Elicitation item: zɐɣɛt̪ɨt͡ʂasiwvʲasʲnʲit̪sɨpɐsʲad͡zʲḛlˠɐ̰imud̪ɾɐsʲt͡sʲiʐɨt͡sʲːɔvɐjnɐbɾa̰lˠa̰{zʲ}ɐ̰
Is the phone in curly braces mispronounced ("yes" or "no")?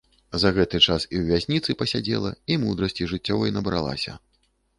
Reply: yes